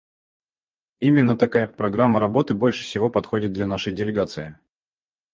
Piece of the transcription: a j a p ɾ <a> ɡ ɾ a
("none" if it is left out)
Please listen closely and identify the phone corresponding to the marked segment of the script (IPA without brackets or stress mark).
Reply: ɐ